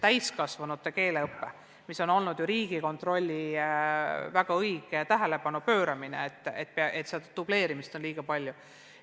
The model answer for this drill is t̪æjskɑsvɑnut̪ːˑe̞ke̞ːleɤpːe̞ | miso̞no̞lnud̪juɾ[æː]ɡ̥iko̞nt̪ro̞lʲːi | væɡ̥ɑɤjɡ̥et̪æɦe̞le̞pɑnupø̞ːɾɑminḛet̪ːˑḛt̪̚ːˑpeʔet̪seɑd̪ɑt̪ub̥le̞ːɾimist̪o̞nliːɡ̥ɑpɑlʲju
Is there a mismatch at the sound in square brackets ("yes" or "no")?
yes